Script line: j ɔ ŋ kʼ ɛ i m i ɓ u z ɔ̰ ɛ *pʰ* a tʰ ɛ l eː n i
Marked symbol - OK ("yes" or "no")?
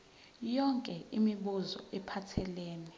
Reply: yes